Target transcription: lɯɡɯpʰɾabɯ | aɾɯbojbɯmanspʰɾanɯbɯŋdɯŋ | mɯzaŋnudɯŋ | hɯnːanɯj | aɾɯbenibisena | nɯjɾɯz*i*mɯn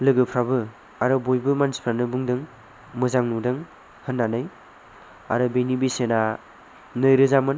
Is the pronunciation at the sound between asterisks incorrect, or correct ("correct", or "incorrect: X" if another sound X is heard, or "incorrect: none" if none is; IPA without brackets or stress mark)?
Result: incorrect: a